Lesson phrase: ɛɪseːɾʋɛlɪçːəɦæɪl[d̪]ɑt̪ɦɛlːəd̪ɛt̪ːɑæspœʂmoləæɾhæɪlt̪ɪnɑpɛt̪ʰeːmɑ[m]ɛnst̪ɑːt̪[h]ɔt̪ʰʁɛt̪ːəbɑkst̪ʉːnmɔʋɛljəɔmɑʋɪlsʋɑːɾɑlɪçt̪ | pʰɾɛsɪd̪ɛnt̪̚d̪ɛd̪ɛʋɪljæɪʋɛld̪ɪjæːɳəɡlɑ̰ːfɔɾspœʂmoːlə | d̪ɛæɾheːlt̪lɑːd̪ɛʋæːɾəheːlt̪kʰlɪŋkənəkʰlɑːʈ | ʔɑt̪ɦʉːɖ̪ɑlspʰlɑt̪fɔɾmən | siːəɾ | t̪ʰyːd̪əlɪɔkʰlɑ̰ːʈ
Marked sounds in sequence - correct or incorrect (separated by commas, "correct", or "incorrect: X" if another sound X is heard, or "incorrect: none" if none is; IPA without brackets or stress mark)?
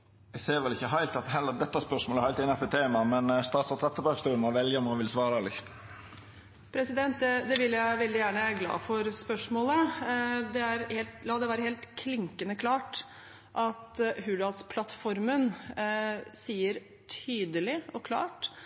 incorrect: t̪, correct, incorrect: s